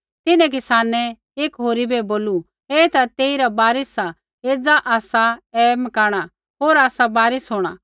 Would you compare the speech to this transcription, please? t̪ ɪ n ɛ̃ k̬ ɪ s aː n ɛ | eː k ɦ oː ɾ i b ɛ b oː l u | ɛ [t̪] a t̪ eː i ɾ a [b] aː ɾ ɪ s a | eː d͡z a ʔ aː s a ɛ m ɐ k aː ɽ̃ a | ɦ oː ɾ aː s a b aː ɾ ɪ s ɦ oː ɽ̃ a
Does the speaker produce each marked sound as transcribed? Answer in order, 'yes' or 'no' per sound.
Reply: yes, yes

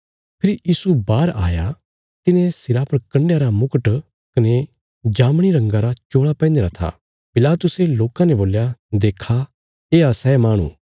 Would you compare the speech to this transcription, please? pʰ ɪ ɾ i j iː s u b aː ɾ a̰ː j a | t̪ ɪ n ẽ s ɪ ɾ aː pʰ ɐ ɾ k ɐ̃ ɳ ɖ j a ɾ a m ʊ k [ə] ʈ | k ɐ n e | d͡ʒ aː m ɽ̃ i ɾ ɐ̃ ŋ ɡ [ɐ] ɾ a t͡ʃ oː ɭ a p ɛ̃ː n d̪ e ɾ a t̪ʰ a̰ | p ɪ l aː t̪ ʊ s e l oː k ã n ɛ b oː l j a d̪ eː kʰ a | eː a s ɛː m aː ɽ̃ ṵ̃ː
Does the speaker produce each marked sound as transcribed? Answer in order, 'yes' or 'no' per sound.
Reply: yes, no

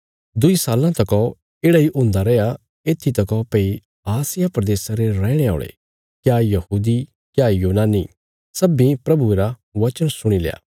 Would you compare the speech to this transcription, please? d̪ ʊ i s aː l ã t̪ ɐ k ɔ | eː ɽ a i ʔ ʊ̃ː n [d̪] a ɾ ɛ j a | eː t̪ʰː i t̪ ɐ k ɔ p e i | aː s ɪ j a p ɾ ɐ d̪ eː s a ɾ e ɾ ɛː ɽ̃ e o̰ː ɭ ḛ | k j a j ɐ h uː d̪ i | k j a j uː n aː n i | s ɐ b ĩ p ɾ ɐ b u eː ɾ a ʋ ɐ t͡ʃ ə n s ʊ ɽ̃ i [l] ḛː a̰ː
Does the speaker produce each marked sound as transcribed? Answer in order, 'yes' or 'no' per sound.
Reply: yes, yes

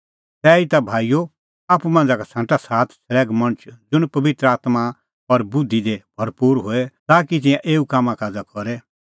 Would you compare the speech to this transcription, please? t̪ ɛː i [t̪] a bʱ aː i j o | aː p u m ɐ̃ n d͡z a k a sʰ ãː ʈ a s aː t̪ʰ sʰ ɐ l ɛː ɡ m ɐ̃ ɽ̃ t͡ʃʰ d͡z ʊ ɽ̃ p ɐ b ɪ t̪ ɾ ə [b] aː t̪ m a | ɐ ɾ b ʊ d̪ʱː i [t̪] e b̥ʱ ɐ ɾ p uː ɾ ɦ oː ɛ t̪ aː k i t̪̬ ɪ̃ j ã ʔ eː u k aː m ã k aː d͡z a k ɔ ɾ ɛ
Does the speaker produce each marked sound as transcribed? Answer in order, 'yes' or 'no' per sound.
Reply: yes, no, no

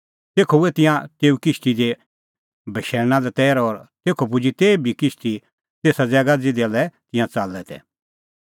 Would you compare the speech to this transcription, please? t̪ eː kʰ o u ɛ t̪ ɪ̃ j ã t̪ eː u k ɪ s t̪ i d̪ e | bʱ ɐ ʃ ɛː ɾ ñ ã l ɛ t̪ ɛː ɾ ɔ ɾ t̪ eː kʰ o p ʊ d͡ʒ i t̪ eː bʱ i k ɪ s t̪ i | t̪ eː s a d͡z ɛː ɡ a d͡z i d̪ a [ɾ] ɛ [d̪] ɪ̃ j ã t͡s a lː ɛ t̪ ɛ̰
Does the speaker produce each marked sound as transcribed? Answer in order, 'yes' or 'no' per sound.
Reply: no, no

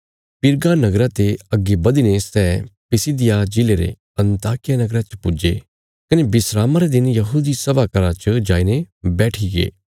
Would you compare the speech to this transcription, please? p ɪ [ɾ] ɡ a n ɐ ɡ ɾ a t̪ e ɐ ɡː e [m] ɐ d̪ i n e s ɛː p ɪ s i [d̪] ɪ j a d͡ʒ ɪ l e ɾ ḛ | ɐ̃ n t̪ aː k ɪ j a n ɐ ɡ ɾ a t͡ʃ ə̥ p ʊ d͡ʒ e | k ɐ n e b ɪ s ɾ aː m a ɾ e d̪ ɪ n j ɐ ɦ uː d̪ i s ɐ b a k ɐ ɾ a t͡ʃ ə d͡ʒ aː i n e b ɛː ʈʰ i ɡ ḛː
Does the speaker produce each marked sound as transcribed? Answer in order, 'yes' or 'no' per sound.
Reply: yes, no, yes

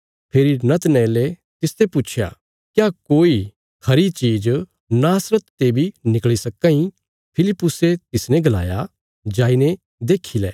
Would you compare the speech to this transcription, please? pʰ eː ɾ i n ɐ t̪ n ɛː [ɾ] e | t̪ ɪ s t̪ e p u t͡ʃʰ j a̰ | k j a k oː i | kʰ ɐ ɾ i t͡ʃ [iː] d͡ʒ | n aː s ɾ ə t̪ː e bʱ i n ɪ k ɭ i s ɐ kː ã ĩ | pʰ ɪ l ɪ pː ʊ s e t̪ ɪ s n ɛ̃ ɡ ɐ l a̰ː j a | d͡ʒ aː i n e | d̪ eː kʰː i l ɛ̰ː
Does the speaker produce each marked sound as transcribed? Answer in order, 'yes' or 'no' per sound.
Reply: no, yes

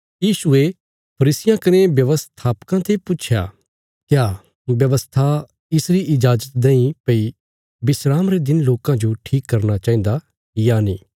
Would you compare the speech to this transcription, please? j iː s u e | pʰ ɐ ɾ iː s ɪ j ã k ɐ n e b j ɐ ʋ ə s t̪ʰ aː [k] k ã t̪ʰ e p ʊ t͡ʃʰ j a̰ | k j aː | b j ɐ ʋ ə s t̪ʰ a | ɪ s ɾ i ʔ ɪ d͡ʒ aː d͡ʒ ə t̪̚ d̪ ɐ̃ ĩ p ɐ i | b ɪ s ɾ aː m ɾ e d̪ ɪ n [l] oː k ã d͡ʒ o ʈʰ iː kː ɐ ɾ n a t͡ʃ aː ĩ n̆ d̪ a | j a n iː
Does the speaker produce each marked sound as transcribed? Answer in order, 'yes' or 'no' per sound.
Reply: no, yes

